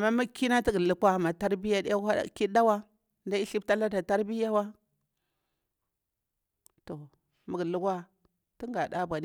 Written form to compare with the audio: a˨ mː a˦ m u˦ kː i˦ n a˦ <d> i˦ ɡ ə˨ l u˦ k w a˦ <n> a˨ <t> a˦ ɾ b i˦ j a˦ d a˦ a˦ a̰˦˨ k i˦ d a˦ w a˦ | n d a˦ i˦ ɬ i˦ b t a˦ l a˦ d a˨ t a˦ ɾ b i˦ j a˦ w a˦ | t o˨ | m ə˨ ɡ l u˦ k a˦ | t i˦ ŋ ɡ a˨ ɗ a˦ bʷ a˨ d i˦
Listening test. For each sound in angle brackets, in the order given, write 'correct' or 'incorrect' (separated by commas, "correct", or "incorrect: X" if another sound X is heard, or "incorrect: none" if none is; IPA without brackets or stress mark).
incorrect: t, incorrect: m, correct